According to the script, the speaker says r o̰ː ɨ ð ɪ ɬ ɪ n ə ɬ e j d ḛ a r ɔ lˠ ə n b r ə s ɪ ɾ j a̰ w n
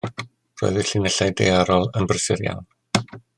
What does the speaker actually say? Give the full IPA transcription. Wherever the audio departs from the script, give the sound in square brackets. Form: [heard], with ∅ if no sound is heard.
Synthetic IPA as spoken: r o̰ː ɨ ð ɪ ɬ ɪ n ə ɬ [a] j d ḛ a [ɾ] ɔ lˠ ə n b r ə s ɪ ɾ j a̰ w n